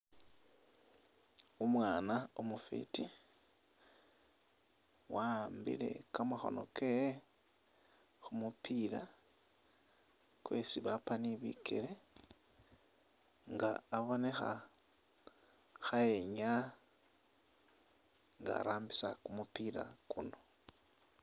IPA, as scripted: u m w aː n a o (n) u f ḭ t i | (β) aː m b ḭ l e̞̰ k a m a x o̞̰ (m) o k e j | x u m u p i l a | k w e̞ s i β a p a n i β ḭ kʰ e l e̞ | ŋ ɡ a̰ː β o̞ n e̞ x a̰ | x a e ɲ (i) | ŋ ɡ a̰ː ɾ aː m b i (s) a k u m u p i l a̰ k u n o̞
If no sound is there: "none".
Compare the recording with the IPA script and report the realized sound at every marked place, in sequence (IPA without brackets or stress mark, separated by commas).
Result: m, w, n, a, s